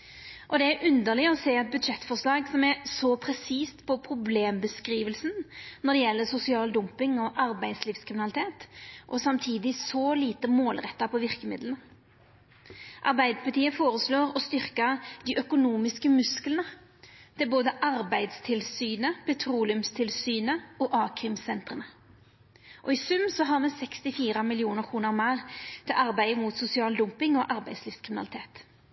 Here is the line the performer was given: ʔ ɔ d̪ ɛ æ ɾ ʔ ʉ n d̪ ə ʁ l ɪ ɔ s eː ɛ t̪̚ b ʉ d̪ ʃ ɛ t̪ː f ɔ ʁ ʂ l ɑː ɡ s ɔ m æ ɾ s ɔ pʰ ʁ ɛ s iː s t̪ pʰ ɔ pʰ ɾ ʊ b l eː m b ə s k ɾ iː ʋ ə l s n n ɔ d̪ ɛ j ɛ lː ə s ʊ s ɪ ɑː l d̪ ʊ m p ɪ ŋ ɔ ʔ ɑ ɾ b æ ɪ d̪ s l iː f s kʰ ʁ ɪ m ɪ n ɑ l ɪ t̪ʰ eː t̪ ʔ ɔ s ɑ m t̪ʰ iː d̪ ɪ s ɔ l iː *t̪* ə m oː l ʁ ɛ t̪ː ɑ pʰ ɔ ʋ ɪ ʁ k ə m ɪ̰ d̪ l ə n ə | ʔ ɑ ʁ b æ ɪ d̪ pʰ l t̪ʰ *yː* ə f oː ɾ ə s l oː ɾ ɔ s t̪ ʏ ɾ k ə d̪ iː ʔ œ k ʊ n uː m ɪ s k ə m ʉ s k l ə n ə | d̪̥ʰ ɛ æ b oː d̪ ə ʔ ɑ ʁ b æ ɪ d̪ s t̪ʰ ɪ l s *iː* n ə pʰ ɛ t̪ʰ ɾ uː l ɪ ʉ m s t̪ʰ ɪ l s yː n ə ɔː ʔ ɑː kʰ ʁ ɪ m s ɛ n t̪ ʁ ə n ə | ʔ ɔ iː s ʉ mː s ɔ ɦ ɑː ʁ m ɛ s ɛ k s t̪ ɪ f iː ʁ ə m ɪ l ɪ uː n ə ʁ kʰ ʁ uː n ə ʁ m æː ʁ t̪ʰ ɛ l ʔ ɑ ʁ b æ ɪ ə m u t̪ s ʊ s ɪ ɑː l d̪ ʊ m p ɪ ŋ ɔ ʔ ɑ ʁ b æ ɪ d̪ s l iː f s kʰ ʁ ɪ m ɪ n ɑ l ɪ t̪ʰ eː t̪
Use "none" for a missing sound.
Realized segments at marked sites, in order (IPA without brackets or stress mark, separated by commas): t̪, iː, yː